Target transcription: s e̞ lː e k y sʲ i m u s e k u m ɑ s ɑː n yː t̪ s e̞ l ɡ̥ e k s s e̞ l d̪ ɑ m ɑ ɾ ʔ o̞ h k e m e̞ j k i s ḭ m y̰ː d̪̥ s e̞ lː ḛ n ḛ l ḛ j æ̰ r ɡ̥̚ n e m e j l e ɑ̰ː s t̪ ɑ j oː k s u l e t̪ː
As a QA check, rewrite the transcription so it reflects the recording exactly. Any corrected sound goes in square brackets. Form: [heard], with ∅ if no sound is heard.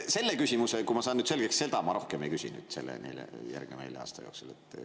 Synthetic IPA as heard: s e̞ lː e k y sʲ i m u s e k u m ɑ s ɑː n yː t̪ s e̞ l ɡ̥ e k s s e̞ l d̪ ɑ m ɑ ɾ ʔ o̞ h k e m e̞ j k [y] s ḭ [n] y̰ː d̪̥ s e̞ lː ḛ n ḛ l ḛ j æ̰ r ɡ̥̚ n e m e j l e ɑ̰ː s t̪ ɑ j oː k s u l e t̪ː